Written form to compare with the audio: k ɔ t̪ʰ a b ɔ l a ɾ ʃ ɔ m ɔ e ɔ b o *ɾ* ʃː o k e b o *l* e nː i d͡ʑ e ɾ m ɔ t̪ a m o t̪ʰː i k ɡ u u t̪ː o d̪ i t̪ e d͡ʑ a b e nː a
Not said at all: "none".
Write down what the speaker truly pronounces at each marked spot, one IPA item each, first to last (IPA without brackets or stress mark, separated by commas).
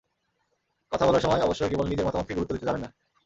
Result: none, l